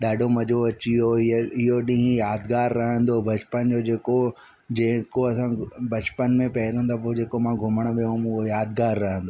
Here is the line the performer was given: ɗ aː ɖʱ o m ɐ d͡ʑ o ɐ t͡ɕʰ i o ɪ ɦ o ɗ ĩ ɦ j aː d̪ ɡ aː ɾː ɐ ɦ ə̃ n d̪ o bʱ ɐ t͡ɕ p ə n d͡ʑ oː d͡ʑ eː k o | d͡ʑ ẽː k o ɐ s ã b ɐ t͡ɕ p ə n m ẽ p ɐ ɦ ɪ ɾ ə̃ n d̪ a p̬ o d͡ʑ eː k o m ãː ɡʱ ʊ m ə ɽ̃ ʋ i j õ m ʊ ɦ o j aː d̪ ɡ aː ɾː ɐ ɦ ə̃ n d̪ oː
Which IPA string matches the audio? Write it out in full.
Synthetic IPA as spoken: ɗ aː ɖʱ o m ɐ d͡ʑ o ɐ t͡ɕ i o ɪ ɦ o ɗ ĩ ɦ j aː d̪ ɡ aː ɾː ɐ ɦ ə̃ n d̪ o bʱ ɐ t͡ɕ p ə n d͡ʑ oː d͡ʑ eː k o | d͡ʑ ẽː k o ɐ s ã b ɐ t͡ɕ p ə n m ẽ p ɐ ɦ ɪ ɾ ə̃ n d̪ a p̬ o d͡ʑ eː k o m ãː ɡʱ ʊ m ə ɽ̃ ʋ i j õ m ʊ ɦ o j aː d̪ ɡ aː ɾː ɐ ɦ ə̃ n d̪ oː